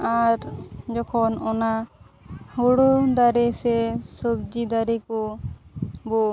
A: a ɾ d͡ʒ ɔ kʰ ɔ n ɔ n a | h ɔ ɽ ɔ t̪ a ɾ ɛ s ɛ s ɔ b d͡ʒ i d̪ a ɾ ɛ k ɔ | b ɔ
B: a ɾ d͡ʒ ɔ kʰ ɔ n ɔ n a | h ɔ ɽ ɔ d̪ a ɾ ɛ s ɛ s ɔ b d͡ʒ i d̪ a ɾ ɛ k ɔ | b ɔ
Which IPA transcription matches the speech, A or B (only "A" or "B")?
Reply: B